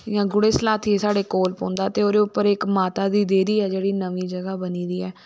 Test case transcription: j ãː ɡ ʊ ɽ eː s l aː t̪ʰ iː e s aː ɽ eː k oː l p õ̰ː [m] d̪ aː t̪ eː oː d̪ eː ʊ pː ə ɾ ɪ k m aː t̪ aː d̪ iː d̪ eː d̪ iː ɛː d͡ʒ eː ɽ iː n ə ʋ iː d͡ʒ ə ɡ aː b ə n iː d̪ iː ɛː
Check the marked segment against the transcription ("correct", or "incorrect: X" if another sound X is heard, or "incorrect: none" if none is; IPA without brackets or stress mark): incorrect: n